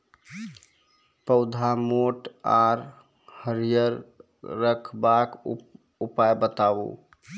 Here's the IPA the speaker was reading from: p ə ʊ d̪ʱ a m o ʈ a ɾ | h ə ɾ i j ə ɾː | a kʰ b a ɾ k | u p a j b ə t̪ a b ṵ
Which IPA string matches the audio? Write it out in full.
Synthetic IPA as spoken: p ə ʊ d̪ʱ a m o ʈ a ɾ | h ə ɾ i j ə ɾː | ə kʰ b a k | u p a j b ə t̪ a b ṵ

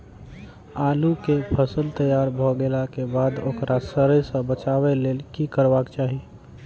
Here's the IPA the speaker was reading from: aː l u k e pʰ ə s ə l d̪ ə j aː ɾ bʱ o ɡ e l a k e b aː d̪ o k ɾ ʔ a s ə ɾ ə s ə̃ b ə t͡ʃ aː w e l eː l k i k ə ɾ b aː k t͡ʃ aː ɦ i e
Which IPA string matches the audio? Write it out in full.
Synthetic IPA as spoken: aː l u k e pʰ ə s ə l t̪ ə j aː ɾ bʱ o ɡ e l a k e b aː d̪ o k ɾ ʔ a s ə ɾ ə s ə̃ b ə t͡ʃ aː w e l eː l k i k ə ɾ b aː k t͡ʃ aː ɦ i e

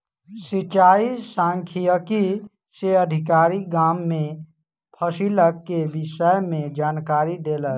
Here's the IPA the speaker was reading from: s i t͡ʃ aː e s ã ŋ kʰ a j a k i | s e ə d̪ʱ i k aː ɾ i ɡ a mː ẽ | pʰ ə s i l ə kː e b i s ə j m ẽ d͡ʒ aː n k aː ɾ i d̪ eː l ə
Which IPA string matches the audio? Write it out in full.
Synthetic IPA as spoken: s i t͡ʃ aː i s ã ŋ kʰ i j ə k i | s e ə d̪ʱ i k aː ɾ i ɡ a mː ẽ | pʰ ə s i l ə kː e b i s ə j m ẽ d͡ʒ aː n k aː ɾ i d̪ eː l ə

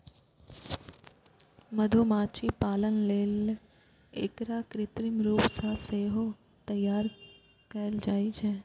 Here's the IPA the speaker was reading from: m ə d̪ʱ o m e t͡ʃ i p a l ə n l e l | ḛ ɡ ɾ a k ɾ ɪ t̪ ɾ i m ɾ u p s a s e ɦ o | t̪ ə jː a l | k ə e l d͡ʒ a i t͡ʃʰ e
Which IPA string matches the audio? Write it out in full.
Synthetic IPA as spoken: m ə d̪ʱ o m a t͡ʃ i p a l ə n l e l | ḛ k ɾ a k ɾ ɪ t̪ ɾ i m ɾ u p s a s e ɦ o | t̪ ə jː a ɾ | k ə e l d͡ʒ a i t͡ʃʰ e

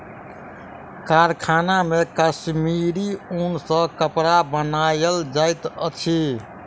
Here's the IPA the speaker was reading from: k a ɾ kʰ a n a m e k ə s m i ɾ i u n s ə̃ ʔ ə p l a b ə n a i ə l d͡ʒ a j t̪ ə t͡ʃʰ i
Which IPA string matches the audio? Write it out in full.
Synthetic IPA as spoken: k a ɾ kʰ a n a m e k ə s m i ɾ i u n s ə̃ k ə p ɾ a b ə n a j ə l d͡ʒ a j t̪ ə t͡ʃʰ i

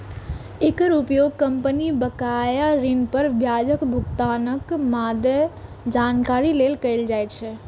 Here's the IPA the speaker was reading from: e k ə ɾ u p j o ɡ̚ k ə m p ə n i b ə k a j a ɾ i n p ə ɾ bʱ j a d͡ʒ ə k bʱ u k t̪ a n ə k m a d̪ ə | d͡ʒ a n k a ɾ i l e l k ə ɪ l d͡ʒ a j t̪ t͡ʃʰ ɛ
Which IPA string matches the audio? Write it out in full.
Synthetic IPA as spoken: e k ə ɾ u p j o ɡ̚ k ə m p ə n i b ə k a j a ɾ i n p ə ɾ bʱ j a d͡ʒ ə k bʱ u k t̪ a n ə k m a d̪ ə | d͡ʒ a n k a ɾ i l e l k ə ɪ l d͡ʒ a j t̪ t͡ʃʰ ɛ

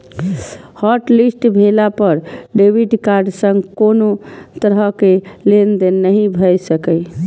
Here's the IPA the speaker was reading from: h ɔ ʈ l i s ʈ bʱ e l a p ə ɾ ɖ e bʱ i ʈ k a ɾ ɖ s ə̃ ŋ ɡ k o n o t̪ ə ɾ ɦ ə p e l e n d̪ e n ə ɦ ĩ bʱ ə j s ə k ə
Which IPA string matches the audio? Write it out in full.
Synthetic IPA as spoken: h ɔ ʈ l i s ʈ bʱ e l a p ə ɾ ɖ e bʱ i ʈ k a ɾ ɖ s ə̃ ŋ ɡ k o n o t̪ ə ɾ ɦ ə k e l e n d̪ e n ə ɦ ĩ bʱ ə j s ə k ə

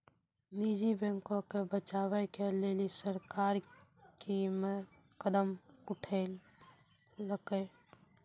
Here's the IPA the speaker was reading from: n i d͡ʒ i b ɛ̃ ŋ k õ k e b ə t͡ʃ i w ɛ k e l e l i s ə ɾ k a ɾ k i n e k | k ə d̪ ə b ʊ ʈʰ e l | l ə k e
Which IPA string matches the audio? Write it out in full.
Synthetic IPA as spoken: n i d͡ʒ i b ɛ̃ ŋ k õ k e b ə t͡ʃ a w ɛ k e l e l i s ə ɾ k a ɾ k i m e | k ə d̪ ə m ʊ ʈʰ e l | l ə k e

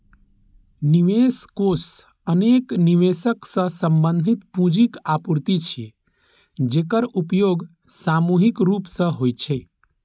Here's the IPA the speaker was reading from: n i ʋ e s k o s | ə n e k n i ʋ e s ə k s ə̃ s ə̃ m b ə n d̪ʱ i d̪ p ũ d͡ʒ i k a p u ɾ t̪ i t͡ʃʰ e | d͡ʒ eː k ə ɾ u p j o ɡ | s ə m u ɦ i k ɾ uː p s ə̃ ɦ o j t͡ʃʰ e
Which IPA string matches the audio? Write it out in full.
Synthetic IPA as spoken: n i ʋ e s k o s | ə n e k n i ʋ e s ə k s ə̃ s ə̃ m b ə n d̪ʱ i t̪ p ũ d͡ʒ i k a p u ɾ t̪ i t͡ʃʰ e | d͡ʒ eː k ə ɾ u p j o ɡ | s a m u ɦ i k ɾ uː p s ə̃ ɦ o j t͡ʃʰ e

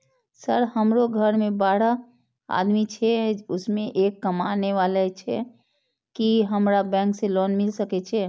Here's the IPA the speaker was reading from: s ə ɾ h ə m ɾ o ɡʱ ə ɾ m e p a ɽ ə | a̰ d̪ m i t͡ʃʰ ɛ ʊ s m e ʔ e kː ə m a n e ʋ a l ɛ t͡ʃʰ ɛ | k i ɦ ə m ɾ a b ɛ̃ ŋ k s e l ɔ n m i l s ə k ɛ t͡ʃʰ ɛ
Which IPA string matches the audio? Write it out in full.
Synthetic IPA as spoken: s ə ɾ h ə m ɾ o ɡʱ ə ɾ m e b a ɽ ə | a̰ d̪ m i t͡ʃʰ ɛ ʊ s m e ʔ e kː ə m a n e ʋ a l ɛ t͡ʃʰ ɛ | k i ɦ ə m ɾ a b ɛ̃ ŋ k s e l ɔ n m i l s ə k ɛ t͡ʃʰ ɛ

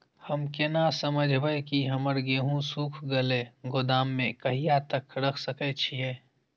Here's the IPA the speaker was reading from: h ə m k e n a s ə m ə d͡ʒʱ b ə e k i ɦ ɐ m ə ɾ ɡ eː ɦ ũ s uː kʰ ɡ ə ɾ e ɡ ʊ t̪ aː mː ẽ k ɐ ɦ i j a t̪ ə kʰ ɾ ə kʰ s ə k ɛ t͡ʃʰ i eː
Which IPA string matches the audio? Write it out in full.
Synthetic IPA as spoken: h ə m k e n a s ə m ə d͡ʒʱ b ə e k i ɦ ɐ m ə ɾ ɡ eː ɦ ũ s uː kʰ ɡ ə l e ɡ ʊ d̪ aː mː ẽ k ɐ ɦ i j a t̪ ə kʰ ɾ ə kʰ s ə k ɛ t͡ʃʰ i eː

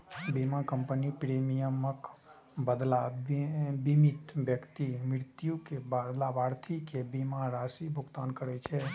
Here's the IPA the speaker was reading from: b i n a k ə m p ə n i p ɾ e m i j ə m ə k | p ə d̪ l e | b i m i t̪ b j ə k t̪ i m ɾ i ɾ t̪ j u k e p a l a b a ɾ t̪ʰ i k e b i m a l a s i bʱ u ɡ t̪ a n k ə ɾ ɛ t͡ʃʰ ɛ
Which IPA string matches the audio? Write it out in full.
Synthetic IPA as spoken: b i m a k ə m p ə n i p ɾ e m i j ə m ə k | b ə d̪ l a | b i m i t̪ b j ə k t̪ i m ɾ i ɾ t̪ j u k e b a l a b a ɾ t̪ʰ i k e b i m a ɾ a s i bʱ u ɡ t̪ a n k ə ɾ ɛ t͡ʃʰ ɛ

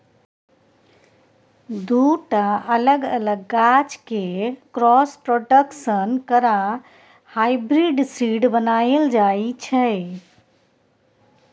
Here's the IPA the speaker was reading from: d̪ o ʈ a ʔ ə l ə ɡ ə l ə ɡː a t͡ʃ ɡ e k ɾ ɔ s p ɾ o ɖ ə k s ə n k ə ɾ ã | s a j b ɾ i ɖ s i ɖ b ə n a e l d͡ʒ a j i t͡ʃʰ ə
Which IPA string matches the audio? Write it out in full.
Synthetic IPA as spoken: d̪ u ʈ a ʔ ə l ə ɡ ə l ə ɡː a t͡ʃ k e k ɾ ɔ s p ɾ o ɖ ə k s ə n k ə ɾ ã | h a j b ɾ i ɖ s i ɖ b ə n a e l d͡ʒ a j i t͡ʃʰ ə

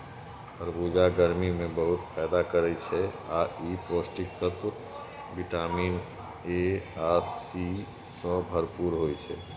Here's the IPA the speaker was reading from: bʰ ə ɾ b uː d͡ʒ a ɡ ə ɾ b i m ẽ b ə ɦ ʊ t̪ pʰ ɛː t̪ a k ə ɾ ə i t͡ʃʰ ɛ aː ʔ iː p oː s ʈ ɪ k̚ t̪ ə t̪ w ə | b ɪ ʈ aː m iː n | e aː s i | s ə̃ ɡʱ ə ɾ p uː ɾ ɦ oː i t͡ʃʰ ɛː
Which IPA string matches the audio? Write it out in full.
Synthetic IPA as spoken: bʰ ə ɾ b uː d͡ʒ a ɡ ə ɾ m i m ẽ b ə ɦ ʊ t̪ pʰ ɛː d̪ a k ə ɾ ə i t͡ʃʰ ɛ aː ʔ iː p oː s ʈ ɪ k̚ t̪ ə t̪ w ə | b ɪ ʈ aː m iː n | e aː s i | s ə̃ bʱ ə ɾ p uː ɾ ɦ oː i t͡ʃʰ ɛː

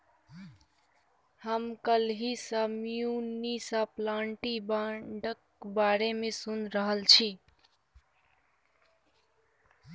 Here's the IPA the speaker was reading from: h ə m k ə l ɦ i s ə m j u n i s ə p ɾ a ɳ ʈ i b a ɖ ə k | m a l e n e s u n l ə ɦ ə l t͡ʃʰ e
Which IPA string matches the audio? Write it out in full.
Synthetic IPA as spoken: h ə m k ə l ɦ i s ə m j u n i s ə p l a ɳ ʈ i b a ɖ ə k | b a ɾ e m e s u n ɾ ə ɦ ə l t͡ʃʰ i

